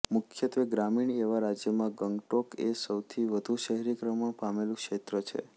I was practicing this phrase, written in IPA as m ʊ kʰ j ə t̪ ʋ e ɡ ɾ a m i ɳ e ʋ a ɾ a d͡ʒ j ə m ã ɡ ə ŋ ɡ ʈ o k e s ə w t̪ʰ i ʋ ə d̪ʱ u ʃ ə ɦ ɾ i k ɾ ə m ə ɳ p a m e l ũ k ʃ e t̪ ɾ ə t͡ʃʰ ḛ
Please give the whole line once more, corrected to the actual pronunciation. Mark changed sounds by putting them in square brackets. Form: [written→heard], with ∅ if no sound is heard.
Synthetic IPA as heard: m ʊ kʰ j ə t̪ ʋ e ɡ ɾ a m i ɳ e ʋ a ɾ a d͡ʒ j ə m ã ɡ ə ŋ ɡ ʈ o k e s ə w t̪ʰ i ʋ ə d̪ʱ u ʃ ə ɦ ɾ i k ɾ ə m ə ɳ p a m e l ũ k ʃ e t̪ ɾ ə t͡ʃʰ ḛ